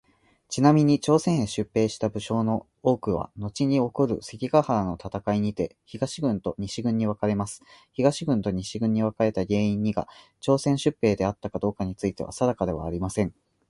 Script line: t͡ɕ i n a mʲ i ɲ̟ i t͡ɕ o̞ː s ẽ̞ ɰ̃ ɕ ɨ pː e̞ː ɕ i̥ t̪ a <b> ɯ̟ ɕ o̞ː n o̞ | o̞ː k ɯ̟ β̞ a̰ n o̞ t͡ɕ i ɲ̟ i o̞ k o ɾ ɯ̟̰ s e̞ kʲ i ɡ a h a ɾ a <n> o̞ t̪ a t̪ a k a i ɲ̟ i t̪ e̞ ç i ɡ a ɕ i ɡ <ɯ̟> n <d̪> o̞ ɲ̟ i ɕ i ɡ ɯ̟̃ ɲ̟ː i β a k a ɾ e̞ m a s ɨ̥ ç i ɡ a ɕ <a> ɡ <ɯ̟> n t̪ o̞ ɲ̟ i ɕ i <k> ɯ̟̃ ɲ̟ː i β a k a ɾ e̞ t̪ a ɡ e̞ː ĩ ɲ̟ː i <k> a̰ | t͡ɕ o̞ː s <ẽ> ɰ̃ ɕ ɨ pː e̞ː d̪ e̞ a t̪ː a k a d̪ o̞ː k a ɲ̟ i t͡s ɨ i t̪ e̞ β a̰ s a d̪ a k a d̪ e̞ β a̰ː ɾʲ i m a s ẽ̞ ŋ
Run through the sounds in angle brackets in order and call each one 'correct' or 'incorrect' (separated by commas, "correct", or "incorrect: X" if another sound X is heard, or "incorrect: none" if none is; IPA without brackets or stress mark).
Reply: correct, correct, incorrect: ɯ̟̃, incorrect: t̪, incorrect: i, incorrect: ɯ̟̃, incorrect: ɡ, incorrect: ɡ, correct